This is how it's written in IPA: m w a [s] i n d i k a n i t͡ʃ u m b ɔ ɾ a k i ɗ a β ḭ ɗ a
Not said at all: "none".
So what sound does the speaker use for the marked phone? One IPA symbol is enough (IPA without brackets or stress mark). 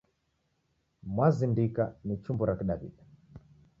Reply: z